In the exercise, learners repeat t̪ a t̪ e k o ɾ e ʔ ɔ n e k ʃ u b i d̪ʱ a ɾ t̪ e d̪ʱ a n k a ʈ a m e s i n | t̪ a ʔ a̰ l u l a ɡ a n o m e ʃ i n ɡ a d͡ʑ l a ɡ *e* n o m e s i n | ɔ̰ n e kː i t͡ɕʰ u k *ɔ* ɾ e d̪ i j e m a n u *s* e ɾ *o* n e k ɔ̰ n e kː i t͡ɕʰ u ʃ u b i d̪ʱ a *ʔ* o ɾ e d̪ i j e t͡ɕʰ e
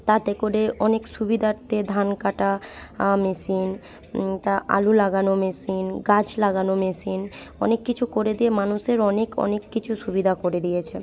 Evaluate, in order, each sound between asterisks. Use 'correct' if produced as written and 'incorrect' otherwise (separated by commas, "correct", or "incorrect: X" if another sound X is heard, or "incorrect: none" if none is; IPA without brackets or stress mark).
incorrect: a, incorrect: o, incorrect: ʃ, incorrect: ɔ, incorrect: k